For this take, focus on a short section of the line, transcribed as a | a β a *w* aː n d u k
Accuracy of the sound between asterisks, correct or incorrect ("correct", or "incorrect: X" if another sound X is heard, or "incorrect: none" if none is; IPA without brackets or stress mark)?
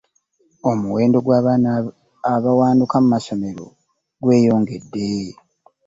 correct